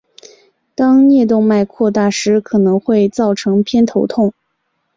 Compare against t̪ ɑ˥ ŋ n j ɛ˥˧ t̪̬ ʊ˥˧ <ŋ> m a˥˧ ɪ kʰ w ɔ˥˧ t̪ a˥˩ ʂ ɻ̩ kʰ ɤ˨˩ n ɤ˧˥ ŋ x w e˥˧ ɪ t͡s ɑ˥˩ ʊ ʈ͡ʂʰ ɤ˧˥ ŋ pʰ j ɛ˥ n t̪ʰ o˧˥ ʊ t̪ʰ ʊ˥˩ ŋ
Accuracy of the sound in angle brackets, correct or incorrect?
correct